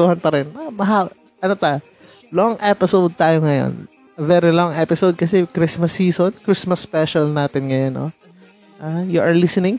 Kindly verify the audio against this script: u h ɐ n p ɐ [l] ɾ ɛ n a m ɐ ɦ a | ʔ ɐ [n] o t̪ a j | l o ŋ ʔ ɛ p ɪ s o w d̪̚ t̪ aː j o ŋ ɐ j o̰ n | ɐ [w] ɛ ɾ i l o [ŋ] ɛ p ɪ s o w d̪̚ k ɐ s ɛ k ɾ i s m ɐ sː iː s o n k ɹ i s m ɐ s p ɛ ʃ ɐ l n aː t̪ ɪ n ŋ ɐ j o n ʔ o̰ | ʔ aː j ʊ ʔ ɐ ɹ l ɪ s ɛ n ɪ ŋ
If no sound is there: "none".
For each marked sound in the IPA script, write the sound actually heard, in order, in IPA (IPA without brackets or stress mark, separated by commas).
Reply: none, n, v, ŋ